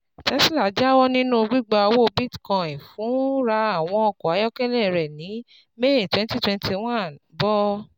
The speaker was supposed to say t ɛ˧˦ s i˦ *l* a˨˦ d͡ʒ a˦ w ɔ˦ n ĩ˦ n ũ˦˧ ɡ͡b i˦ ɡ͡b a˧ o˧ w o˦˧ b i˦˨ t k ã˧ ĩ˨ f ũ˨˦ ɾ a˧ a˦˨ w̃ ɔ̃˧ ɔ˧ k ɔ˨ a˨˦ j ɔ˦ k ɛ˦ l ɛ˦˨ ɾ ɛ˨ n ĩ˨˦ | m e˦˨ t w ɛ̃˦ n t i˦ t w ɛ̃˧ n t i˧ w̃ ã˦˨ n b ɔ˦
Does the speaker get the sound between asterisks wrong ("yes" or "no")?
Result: no